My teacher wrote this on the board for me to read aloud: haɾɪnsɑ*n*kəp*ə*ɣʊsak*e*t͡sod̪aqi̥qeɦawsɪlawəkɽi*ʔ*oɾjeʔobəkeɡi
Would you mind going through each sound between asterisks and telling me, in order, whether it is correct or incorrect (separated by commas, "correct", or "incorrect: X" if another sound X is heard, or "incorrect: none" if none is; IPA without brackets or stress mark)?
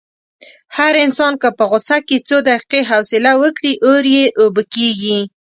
correct, correct, correct, correct